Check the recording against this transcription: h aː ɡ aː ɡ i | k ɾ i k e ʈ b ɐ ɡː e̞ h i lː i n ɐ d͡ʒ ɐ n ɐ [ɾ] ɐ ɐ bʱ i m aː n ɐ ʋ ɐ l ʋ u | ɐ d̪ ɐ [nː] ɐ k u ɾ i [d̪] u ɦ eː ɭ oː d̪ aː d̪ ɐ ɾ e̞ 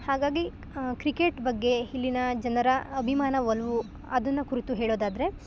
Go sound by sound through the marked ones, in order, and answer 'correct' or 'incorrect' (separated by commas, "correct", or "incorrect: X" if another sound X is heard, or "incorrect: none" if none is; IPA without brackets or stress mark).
correct, correct, incorrect: t̪